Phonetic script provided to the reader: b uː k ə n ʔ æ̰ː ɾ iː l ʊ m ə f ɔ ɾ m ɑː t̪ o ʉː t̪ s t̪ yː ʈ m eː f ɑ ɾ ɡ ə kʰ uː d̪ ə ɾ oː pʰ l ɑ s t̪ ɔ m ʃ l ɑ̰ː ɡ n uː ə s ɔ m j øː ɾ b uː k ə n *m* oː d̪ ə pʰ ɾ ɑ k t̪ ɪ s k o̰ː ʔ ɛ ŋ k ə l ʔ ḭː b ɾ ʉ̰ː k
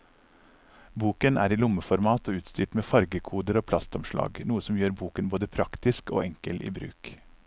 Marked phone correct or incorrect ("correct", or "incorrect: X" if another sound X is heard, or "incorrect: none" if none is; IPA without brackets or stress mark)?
incorrect: b